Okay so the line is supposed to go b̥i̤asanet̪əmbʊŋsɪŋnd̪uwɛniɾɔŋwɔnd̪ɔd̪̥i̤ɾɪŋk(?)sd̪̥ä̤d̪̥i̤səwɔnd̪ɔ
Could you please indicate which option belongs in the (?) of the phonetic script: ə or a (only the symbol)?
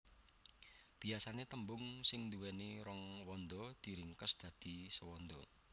ə